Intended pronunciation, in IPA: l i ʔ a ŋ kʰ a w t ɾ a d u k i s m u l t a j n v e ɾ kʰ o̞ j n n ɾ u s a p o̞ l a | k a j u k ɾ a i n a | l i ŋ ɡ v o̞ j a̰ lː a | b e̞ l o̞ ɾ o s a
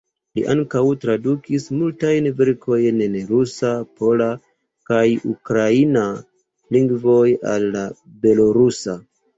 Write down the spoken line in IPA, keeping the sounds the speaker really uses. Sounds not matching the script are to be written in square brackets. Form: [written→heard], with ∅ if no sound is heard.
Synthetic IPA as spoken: l i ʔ a ŋ [kʰ→k] a w t ɾ a d u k i s m u l t a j n v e ɾ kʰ o̞ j n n ɾ u s a p o̞ l a | k a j u k ɾ a i n a | l i ŋ ɡ v o̞ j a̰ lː a | b e̞ l o̞ ɾ [o→u] s a